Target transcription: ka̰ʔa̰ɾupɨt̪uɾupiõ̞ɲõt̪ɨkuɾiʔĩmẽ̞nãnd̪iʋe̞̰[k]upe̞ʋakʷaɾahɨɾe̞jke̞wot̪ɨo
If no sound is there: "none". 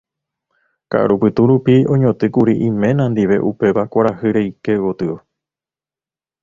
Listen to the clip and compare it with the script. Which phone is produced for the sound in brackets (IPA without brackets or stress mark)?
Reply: ʔ